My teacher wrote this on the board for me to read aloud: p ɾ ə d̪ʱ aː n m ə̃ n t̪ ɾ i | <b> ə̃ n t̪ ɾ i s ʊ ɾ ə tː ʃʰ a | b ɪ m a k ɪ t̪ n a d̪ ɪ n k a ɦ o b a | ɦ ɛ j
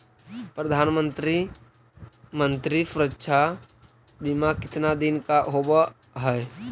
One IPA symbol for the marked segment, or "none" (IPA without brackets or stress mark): m